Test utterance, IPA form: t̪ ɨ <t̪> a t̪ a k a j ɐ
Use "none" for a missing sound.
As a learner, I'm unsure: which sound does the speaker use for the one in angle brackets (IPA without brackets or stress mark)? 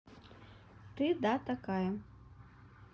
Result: d̪